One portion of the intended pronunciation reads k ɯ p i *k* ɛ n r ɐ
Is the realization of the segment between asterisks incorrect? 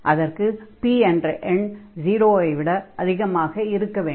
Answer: yes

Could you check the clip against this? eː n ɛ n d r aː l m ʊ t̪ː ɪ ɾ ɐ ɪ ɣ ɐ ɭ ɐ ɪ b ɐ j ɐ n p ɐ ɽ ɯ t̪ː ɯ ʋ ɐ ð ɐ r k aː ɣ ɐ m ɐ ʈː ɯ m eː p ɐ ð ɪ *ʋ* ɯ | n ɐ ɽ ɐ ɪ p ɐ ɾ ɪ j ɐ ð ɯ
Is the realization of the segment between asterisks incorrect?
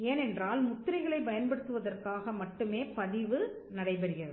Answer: no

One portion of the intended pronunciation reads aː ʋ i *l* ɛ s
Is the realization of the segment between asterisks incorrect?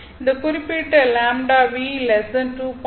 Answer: no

